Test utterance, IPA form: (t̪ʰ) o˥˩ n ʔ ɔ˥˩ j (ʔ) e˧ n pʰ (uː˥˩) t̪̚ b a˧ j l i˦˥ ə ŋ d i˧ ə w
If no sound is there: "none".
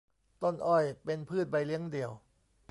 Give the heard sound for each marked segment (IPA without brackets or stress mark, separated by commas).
t̪, p, ɯː˥˩